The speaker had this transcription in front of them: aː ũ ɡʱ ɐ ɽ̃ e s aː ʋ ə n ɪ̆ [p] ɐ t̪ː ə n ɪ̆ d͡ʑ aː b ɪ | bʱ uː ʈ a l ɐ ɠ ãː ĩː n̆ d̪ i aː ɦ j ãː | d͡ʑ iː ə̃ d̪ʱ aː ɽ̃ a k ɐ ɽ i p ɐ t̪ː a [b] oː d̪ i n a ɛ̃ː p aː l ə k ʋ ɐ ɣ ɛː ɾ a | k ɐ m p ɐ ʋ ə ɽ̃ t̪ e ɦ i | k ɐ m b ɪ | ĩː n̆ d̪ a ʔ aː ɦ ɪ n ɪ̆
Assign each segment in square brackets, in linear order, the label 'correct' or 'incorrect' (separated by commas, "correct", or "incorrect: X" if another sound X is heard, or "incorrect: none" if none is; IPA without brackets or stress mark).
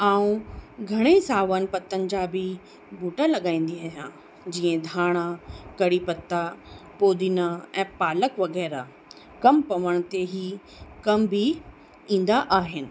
correct, incorrect: p